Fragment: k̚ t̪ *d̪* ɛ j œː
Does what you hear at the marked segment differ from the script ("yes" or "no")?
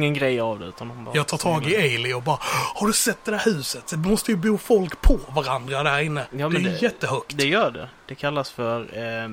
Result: no